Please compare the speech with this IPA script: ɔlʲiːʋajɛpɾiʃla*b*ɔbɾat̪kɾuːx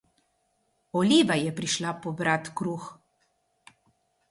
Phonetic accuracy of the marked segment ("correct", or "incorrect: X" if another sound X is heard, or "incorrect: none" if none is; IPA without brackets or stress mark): incorrect: p